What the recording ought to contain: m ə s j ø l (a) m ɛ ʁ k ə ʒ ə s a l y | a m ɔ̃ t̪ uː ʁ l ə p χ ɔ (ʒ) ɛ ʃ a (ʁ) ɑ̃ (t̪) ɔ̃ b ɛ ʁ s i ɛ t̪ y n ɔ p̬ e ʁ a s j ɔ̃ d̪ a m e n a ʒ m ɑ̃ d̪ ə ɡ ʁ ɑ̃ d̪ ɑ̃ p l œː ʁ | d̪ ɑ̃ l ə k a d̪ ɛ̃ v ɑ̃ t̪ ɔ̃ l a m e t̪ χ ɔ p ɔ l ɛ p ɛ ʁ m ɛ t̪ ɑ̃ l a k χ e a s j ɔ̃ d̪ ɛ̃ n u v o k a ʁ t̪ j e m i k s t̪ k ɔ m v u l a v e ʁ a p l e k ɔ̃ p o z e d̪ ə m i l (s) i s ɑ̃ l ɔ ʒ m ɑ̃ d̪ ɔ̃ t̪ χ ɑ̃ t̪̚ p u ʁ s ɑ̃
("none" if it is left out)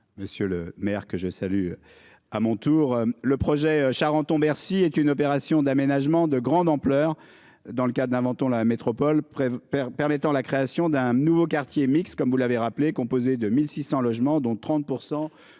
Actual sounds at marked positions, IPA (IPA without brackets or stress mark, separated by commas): ə, ʒ, ʁ, t̪, s